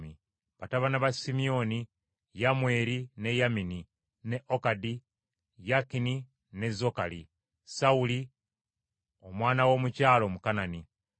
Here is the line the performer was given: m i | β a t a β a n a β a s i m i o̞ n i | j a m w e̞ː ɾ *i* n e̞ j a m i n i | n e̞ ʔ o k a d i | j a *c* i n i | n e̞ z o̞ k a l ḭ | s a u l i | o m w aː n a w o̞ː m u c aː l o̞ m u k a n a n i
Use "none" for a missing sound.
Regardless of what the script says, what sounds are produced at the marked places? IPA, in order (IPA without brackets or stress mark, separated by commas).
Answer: i, k